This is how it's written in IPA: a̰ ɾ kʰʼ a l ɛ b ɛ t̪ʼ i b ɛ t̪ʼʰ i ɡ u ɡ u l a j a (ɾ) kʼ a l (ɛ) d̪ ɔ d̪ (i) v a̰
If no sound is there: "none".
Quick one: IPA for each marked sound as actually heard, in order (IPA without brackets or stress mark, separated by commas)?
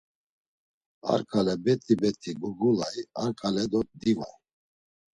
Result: ɾ, ɛ, i